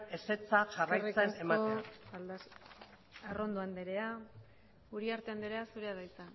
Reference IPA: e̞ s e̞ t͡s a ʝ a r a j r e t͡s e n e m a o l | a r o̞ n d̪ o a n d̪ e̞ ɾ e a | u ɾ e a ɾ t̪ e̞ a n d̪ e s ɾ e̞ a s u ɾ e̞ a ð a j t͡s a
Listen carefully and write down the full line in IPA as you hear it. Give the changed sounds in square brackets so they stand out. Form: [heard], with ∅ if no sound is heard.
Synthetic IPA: e̞ s e̞ t͡s a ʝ a r a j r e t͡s e n e m a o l | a r o̞ n d̪ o a n d̪ e̞ ɾ e a | u ɾ [i] a ɾ t̪ e̞ a n d̪ e [∅] ɾ e̞ a s u ɾ e̞ a ð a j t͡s a